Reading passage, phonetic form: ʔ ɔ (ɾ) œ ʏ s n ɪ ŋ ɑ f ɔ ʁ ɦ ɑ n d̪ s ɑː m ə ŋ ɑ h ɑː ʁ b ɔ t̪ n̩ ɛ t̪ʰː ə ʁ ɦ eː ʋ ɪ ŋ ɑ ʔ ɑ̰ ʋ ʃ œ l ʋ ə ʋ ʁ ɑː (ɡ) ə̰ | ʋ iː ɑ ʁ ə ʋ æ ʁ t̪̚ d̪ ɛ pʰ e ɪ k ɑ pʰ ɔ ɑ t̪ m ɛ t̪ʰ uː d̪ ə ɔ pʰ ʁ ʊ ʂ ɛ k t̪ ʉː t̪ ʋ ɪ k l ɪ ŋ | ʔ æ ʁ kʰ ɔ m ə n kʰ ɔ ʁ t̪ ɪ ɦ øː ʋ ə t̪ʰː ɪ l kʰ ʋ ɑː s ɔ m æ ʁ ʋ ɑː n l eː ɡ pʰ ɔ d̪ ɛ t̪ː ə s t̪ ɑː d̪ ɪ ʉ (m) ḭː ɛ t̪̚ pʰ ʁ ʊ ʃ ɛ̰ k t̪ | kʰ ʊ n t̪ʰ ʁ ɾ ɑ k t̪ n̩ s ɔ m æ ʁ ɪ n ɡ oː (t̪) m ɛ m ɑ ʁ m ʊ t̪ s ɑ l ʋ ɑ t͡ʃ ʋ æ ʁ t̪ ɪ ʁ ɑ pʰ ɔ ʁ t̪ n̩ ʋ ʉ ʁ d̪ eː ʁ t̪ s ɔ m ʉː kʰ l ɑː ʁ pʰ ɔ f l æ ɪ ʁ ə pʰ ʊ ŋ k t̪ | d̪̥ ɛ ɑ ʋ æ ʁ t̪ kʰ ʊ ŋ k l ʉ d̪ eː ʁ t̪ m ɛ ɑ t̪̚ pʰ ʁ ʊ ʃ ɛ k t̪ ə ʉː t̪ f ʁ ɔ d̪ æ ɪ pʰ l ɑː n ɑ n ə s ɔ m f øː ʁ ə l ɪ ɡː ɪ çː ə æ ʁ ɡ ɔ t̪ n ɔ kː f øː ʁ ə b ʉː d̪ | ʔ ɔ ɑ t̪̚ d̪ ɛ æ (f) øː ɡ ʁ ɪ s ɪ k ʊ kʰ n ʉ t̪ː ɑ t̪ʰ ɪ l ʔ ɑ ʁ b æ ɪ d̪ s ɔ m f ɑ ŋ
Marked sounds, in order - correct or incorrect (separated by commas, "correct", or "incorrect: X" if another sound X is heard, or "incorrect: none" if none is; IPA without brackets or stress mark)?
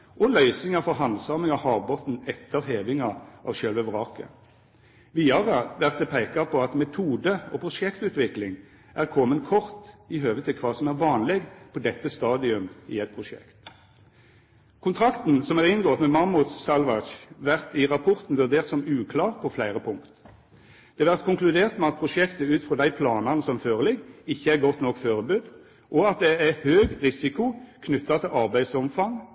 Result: incorrect: l, incorrect: k, correct, correct, incorrect: h